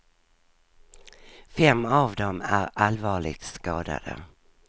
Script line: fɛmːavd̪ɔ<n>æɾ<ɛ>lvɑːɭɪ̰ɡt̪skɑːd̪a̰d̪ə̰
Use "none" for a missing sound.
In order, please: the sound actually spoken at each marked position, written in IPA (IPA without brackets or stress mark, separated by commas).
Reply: m, a